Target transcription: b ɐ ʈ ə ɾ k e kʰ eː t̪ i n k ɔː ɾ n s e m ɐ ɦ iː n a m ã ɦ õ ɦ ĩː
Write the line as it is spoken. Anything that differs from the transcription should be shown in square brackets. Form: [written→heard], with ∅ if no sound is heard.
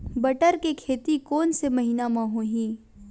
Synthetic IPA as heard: b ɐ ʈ ə ɾ k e kʰ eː t̪ i [n→∅] k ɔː [ɾ→∅] n s e m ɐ ɦ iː n a m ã ɦ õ ɦ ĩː